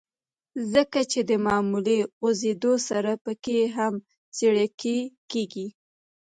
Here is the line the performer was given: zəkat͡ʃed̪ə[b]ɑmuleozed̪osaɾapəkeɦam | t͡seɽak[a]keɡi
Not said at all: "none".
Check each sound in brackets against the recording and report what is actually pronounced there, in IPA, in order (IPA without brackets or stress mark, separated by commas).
m, e